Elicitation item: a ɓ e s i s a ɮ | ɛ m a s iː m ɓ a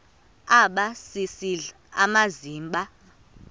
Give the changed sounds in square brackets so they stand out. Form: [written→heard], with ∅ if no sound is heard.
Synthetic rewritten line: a ɓ [e→a] s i s [a→i] ɮ | [ɛ→a] m a [s→z] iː m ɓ a